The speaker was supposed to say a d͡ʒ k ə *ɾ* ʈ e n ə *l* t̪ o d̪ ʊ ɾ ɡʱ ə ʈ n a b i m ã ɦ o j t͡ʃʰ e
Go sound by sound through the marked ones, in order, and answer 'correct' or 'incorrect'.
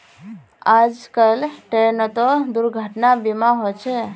incorrect, incorrect

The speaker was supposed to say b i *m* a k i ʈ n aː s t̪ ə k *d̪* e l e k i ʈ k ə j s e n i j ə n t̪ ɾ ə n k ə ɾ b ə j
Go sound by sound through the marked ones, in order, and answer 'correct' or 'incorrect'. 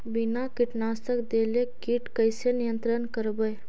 incorrect, correct

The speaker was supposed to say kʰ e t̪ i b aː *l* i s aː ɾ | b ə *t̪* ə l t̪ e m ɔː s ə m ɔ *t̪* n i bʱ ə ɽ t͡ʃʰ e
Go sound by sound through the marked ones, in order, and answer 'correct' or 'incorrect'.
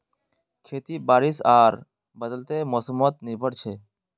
incorrect, incorrect, correct

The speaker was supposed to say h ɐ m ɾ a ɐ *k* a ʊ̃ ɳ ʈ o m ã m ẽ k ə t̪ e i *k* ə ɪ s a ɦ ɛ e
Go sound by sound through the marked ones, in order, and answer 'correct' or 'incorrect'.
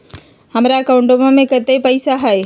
correct, incorrect

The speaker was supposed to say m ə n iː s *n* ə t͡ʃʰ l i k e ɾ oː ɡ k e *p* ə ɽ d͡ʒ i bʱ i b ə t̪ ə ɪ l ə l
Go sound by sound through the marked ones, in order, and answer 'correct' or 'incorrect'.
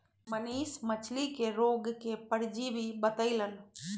incorrect, correct

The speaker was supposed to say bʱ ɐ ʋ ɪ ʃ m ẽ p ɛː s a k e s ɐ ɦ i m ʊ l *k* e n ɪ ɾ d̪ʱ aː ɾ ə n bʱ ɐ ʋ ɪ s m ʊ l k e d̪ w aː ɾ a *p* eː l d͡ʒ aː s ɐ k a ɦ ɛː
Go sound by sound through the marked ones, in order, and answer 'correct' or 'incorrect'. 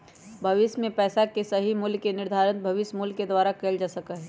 correct, incorrect

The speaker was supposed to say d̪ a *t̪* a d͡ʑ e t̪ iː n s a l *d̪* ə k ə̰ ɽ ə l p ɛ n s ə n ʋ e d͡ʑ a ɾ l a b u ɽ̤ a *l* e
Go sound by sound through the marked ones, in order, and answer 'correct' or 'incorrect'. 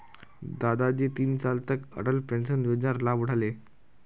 incorrect, incorrect, correct

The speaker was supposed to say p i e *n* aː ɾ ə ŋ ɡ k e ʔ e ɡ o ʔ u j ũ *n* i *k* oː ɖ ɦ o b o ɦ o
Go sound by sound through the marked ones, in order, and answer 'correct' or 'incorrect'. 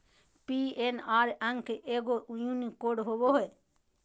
correct, correct, correct

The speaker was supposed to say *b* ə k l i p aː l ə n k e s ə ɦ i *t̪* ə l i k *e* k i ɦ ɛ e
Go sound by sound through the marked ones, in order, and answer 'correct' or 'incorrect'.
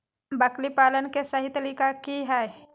correct, correct, incorrect

